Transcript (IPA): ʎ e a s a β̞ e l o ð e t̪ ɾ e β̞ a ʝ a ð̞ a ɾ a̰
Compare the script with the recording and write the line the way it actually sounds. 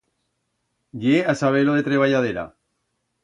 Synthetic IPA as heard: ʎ e a s a β̞ e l o ð e t̪ ɾ e β̞ a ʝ a ð̞ e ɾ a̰